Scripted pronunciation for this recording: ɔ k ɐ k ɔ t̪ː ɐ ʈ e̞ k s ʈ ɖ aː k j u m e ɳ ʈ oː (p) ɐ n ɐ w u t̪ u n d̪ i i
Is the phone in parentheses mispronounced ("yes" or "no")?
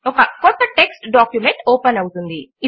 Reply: no